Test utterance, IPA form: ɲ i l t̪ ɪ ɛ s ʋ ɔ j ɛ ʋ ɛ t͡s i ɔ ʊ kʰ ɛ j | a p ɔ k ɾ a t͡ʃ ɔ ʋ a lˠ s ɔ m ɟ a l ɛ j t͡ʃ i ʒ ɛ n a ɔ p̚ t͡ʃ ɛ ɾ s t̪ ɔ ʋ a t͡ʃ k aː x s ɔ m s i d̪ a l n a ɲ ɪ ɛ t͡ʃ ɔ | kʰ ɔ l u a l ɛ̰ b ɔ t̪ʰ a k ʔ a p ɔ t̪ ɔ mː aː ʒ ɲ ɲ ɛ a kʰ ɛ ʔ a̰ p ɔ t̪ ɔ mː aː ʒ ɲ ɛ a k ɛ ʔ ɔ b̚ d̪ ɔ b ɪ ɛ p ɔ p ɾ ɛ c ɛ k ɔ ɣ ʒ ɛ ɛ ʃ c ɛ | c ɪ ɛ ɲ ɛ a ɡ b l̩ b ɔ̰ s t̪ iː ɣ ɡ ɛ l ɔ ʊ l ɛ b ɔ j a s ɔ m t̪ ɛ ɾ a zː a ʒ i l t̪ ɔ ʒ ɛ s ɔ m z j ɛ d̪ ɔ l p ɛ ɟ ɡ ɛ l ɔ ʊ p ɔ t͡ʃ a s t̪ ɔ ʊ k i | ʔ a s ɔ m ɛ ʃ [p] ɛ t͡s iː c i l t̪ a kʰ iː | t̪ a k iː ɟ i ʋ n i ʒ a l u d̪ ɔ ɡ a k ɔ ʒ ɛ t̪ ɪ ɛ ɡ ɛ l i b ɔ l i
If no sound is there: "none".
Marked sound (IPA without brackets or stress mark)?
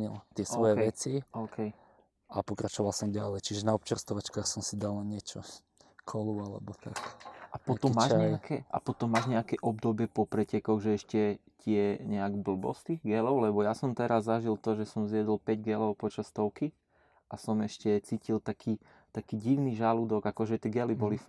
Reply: c